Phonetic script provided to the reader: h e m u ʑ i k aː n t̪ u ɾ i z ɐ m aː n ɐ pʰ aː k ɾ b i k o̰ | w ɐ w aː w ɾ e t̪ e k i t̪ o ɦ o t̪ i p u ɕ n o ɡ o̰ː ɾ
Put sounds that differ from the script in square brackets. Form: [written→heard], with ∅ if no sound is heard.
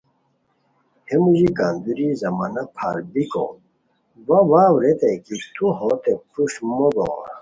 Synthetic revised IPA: h e m u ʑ i k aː n [t̪→d̪] u ɾ i z ɐ m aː n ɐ pʰ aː [k→∅] ɾ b i k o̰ | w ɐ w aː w ɾ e t̪ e k i t̪ [o→u] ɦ o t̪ [i→e] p u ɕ [n→m] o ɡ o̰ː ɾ